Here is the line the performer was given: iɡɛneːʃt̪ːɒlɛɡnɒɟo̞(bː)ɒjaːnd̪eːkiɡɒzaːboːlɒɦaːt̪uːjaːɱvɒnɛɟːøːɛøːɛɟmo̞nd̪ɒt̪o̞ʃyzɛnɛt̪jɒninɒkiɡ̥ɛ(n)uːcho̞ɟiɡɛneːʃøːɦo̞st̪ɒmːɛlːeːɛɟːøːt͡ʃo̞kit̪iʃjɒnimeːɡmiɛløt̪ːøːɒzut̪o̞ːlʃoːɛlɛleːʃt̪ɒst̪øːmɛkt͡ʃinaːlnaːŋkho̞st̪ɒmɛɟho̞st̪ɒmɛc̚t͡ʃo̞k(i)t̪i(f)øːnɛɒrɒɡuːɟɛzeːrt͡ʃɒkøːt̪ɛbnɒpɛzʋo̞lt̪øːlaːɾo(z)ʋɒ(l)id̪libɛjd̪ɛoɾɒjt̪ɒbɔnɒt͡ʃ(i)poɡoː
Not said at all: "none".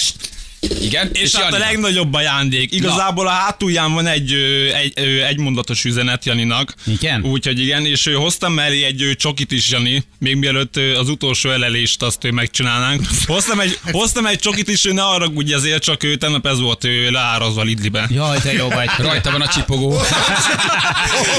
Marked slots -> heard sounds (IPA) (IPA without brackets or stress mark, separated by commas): bː, n, i, ʃ, z, l, i